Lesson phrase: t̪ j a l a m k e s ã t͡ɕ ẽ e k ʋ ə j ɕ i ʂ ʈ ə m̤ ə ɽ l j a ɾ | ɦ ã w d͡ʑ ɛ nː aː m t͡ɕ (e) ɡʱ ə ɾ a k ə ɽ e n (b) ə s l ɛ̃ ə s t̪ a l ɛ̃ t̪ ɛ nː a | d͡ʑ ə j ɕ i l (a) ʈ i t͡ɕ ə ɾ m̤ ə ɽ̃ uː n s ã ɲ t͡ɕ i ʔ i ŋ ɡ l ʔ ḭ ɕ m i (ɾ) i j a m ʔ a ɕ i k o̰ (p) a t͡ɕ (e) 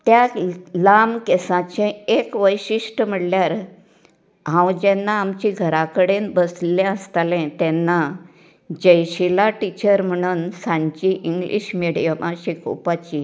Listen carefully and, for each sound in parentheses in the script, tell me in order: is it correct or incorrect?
incorrect: i, correct, correct, incorrect: ɽ, correct, incorrect: i

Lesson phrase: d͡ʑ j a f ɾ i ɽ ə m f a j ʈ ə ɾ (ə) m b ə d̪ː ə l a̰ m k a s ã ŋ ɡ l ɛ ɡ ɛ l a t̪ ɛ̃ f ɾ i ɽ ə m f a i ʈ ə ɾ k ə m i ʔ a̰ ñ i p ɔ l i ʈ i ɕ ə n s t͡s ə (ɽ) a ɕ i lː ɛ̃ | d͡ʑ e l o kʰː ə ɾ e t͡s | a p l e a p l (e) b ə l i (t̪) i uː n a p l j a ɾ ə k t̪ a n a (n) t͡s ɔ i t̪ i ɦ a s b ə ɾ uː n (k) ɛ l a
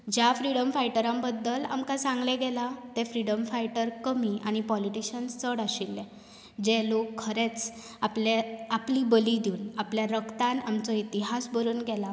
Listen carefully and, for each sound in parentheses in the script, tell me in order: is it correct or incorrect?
incorrect: a, correct, incorrect: i, incorrect: d̪, incorrect: m, incorrect: ɡ

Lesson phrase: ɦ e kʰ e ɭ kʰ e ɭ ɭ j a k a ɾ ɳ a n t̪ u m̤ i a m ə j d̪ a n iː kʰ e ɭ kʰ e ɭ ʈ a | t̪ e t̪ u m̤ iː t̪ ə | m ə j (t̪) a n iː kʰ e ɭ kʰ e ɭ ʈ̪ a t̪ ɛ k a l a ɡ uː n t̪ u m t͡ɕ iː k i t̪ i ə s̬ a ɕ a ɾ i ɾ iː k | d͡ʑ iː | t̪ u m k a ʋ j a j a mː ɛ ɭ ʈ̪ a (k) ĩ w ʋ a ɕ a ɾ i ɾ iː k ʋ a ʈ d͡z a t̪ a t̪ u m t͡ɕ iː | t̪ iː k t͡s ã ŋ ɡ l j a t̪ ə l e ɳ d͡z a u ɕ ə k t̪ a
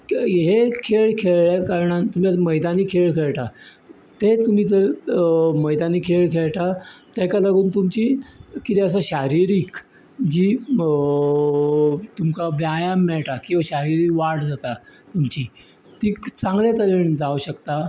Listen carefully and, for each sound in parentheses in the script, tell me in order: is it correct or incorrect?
incorrect: d̪, correct

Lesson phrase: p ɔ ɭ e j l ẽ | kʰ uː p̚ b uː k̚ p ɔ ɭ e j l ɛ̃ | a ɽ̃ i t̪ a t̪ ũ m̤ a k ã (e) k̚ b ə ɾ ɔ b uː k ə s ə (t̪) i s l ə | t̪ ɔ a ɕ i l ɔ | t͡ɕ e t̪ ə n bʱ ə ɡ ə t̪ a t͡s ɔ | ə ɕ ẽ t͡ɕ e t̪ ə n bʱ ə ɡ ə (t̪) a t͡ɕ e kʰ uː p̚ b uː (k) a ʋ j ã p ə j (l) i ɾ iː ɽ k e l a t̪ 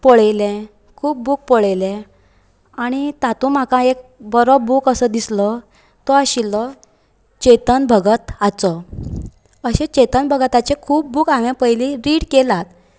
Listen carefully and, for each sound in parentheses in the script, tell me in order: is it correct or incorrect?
correct, incorrect: d̪, correct, correct, correct

